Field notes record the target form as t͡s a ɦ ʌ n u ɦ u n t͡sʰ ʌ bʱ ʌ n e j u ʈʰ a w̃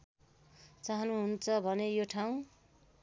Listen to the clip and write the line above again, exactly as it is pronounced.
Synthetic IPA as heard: t͡s a ɦ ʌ n u ɦ u n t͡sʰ ʌ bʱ ʌ n e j o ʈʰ a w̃